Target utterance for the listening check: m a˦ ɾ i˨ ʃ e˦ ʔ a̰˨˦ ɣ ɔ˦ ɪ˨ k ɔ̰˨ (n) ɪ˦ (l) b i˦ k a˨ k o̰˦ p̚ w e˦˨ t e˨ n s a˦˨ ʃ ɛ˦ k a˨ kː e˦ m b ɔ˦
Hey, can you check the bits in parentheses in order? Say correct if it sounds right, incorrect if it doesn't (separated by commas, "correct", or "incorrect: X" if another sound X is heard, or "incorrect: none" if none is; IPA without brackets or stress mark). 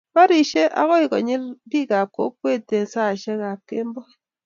incorrect: ɲ, correct